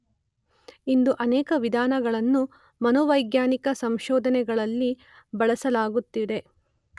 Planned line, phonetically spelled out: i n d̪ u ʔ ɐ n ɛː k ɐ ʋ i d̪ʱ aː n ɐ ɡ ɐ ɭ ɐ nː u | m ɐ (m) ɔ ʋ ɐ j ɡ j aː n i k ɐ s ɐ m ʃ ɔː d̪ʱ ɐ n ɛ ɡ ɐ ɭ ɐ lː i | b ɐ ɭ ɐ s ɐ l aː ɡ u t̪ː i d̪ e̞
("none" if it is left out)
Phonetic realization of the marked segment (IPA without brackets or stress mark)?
n